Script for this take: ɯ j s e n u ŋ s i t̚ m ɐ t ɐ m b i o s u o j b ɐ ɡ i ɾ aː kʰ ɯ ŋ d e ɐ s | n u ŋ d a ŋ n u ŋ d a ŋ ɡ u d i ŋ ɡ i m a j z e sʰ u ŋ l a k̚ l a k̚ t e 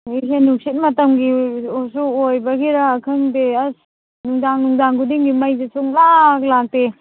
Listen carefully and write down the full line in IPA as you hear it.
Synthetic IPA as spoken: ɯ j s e n u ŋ s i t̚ m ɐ t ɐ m ɡ i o s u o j b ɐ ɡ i ɾ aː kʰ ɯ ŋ d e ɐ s | n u ŋ d a ŋ n u ŋ d a ŋ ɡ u d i ŋ ɡ i m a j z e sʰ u ŋ l a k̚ l a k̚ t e